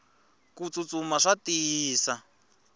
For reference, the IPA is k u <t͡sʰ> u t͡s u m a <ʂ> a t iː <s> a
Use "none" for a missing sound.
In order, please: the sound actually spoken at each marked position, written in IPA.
t͡s, ʂ, s

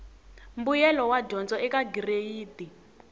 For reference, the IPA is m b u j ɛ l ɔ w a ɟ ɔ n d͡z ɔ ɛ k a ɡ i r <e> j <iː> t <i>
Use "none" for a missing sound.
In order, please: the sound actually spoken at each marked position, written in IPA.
e, iː, i

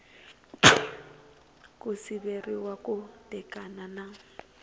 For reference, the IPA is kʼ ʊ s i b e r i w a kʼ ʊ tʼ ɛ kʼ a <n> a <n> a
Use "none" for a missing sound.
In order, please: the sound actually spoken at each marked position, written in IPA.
n, n

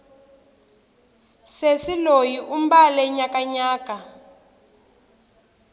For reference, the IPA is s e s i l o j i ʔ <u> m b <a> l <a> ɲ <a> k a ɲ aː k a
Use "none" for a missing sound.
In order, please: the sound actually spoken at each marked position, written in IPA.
u, a, ɛ, a

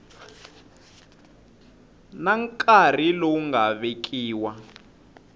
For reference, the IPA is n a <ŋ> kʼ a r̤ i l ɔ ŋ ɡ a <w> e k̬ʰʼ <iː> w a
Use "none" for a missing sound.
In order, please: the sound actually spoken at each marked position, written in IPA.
ŋ, β, iː

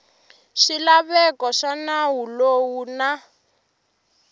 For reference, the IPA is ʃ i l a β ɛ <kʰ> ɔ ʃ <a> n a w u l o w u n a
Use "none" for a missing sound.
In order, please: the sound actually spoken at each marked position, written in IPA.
k, a

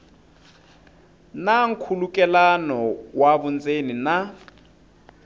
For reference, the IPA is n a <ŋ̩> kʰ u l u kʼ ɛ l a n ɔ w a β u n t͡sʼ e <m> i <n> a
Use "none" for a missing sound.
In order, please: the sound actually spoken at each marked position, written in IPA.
ŋ̩, n, n

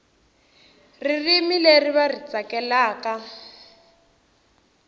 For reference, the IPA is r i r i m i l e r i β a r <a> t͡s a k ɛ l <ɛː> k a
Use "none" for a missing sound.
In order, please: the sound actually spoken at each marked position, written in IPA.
i, aː

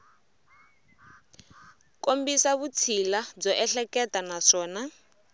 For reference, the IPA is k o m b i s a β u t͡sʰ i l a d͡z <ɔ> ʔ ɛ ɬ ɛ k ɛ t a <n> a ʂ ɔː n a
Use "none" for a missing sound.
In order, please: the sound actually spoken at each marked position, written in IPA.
ɔ, n

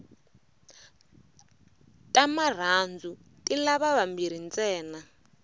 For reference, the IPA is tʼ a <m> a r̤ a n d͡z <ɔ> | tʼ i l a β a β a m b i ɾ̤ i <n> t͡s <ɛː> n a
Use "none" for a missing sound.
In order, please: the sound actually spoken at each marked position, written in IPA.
m, u, n, ɛː

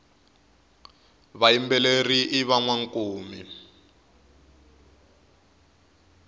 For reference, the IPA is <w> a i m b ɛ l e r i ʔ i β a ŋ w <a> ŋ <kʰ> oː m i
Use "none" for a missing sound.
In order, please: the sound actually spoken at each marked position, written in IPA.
β, a, k

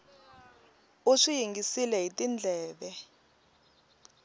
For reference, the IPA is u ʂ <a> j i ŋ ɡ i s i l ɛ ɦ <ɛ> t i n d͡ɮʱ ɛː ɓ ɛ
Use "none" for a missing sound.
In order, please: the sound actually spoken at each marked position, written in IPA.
i, i

